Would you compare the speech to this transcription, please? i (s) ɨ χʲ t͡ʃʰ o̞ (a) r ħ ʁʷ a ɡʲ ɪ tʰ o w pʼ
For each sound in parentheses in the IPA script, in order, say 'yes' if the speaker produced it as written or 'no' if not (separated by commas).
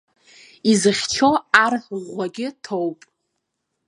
no, yes